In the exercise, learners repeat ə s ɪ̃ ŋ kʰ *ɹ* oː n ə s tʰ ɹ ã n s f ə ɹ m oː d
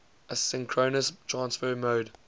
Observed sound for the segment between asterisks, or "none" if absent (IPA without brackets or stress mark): ɹ